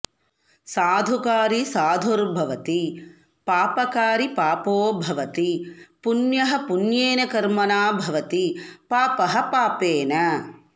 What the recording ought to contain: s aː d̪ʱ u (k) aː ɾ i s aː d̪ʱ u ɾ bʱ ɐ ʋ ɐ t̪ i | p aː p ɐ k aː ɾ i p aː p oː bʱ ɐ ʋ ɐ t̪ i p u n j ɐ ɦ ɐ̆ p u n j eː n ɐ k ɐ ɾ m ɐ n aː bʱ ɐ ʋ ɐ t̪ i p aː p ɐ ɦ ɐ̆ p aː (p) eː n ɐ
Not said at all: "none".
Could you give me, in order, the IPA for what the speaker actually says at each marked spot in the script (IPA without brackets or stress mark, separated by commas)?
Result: k, p